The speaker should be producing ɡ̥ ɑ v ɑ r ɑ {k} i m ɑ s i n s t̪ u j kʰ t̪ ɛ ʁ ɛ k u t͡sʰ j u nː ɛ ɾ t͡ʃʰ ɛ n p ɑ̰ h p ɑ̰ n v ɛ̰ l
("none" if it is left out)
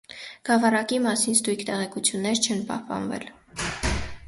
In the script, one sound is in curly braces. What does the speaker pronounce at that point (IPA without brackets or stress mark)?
k